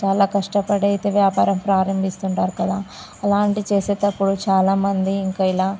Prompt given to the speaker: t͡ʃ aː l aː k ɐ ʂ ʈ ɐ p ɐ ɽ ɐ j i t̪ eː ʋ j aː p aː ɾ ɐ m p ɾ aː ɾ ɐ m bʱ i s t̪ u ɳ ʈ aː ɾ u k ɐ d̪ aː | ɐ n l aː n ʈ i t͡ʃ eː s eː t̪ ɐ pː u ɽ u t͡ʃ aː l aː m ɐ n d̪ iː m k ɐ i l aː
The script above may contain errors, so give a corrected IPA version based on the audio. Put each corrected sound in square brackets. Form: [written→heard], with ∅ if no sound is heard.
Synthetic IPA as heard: t͡ʃ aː l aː k ɐ ʂ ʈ ɐ p ɐ ɽ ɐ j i t̪ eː ʋ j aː p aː ɾ ɐ m p ɾ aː ɾ ɐ m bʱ i s t̪ u ɳ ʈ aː ɾ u k ɐ d̪ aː | ɐ [n→∅] l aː [n→ɳ] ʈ i t͡ʃ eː s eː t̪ ɐ pː u ɽ u t͡ʃ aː l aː m ɐ n d̪ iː [m→ŋ] k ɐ i l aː